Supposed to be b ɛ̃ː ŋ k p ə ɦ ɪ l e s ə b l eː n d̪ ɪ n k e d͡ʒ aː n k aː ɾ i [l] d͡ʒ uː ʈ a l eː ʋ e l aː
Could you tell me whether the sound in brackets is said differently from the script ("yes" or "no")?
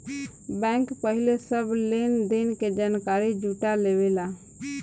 yes